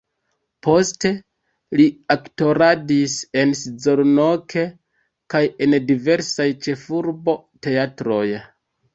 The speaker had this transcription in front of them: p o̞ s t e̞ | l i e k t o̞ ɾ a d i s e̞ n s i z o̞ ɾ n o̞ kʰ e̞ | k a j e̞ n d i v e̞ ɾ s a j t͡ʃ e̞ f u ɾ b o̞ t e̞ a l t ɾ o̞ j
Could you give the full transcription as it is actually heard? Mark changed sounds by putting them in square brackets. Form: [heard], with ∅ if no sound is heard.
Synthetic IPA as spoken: p o̞ s t e̞ | l i [a] k t o̞ ɾ a d i s e̞ n s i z o̞ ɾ n o̞ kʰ e̞ | k a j e̞ n d i v e̞ ɾ s a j t͡ʃ e̞ f u ɾ b o̞ t e̞ a [∅] t ɾ o̞ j